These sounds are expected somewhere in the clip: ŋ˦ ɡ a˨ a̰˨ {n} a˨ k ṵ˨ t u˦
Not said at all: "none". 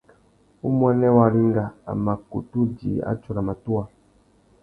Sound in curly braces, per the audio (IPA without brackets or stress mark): m